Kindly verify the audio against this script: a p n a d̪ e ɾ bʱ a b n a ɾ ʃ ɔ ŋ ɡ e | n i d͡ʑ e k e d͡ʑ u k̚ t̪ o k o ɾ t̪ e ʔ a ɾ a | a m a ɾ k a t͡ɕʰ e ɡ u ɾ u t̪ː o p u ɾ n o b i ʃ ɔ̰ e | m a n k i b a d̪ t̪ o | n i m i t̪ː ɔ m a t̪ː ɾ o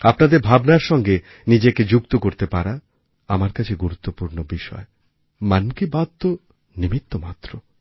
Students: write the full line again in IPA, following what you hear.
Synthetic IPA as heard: a p n a d̪ e ɾ bʱ a b n a ɾ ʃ ɔ ŋ ɡ e | n i d͡ʑ e k e d͡ʑ u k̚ t̪ o k o ɾ t̪ e p a ɾ a | a m a ɾ k a t͡ɕʰ e ɡ u ɾ u t̪ː o p u ɾ n o b i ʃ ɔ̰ e | m a n k i b a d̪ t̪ o | n i m i t̪ː o m a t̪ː ɾ o

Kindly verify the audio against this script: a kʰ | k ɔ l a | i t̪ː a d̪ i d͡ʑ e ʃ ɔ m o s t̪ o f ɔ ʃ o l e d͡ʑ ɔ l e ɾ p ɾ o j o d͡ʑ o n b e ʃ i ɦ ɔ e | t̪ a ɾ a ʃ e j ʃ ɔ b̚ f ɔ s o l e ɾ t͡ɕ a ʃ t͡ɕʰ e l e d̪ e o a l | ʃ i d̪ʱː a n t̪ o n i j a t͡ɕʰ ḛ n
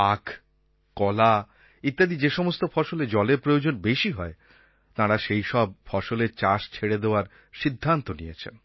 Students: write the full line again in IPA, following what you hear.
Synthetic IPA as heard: a kʰ | k ɔ l a | i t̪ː a d̪ i d͡ʑ e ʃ ɔ m o s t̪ o f ɔ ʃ o l e d͡ʑ ɔ l e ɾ p ɾ o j o d͡ʑ o n b e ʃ i ɦ ɔ e | t̪ a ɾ a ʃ e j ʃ ɔ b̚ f ɔ ʃ o l e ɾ t͡ɕ a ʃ t͡ɕʰ e ɽ e d̪ e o a ɾ | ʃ i d̪ʱː a n t̪ o n i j e t͡ɕʰ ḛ n

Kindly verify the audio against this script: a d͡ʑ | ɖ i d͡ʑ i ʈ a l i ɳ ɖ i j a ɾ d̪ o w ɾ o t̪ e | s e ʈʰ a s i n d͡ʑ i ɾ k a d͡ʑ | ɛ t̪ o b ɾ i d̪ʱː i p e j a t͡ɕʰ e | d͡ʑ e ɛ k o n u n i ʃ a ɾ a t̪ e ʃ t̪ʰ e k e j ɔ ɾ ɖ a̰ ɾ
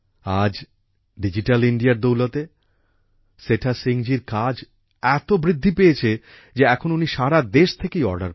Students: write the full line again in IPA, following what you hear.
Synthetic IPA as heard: a d͡ʑ | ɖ i d͡ʑ i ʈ a l i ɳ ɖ i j a ɾ d̪ o w l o t̪ e | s e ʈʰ a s i ŋ d͡ʑ i ɾ k a d͡ʑ | ɛ t̪ o b ɾ i d̪ʱː i p e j e t͡ɕʰ e | d͡ʑ e ɛ kʰ o n u n i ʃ a ɾ a d̪ e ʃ t̪ʰ e k e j ɔ ɾ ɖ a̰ ɾ

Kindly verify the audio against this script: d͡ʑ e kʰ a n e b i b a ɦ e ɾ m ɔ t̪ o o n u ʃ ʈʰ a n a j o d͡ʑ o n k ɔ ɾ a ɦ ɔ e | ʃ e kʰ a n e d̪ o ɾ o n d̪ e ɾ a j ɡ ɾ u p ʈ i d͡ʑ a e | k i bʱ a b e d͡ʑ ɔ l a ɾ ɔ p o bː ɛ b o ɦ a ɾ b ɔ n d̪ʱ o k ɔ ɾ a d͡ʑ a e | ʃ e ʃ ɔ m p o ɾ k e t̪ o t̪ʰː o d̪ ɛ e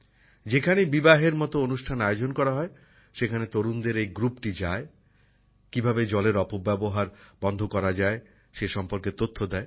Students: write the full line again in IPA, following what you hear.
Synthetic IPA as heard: d͡ʑ e kʰ a n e b i b a ɦ e ɾ m ɔ t̪ o o n u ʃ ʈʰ a n a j o d͡ʑ o n k ɔ ɾ a ɦ ɔ e | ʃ e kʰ a n e t̪ o ɾ u n d̪ e ɾ e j ɡ ɾ u p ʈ i d͡ʑ a e | k i bʱ a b e d͡ʑ ɔ l e ɾ ɔ p o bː ɛ b o ɦ a ɾ b ɔ n d̪ʱ o k ɔ ɾ a d͡ʑ a e | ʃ e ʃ ɔ m p o ɾ k e t̪ o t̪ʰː o d̪ ɛ e

